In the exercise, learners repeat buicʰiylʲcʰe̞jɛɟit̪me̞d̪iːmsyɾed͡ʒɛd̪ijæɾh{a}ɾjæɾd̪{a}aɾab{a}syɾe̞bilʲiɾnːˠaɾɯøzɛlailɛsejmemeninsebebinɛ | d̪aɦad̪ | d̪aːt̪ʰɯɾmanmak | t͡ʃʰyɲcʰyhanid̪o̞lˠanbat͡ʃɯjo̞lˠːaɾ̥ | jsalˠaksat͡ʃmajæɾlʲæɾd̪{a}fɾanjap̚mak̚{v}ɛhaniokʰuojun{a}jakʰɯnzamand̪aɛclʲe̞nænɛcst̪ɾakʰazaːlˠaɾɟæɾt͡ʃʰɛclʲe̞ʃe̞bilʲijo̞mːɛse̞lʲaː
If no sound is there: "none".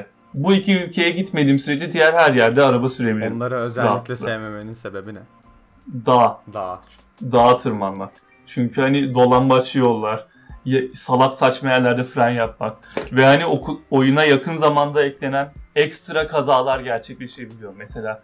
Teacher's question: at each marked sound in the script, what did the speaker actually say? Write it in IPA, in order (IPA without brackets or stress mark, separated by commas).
æ, ɛ, a, ɛ, v, a